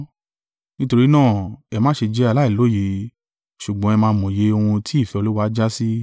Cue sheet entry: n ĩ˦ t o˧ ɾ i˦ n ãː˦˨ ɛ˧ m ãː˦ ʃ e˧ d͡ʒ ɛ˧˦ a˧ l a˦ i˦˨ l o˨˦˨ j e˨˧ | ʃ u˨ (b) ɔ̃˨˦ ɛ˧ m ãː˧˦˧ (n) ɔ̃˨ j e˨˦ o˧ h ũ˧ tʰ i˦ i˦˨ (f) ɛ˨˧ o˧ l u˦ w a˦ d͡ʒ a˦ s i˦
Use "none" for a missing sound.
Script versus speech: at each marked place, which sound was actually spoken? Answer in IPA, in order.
ɡ͡b, m, f

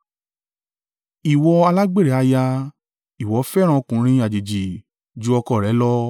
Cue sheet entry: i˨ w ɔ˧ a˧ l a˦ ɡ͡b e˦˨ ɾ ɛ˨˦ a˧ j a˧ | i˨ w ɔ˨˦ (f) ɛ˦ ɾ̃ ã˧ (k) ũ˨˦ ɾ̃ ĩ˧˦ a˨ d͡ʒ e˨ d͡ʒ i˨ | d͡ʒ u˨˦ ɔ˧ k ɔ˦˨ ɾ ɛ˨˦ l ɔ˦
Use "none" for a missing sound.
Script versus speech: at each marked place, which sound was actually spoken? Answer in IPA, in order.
f, k

